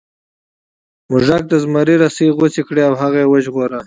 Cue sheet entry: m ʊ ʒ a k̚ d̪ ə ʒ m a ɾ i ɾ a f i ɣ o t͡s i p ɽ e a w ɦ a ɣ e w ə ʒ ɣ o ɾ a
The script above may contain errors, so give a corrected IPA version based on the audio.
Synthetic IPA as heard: m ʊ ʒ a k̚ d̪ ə z m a ɾ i ɾ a s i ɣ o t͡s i k ɽ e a w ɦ a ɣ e w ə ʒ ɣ o ɾ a